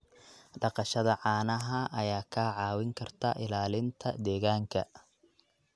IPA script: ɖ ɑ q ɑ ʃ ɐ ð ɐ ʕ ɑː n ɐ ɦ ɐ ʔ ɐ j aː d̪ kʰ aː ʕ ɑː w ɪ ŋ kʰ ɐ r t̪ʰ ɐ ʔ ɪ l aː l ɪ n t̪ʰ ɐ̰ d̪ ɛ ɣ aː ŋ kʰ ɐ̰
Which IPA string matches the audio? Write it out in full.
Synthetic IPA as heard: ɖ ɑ q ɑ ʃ ɐ ð ɐ ʕ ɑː n ɐ ɦ ɐ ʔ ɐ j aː kʰ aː ʕ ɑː w ɪ ŋ kʰ ɐ r t̪ʰ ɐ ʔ ɪ l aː l ɪ n t̪ʰ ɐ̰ d̪ ɛː ɣ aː ŋ kʰ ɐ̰